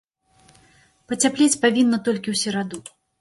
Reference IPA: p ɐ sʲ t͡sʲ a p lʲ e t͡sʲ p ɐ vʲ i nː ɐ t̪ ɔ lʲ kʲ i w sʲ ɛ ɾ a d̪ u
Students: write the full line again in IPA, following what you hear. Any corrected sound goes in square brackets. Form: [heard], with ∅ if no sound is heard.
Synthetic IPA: p ɐ [∅] t͡sʲ a p lʲ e t͡sʲ p [a] vʲ i nː ɐ t̪ ɔ lʲ kʲ i w sʲ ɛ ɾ a d̪ u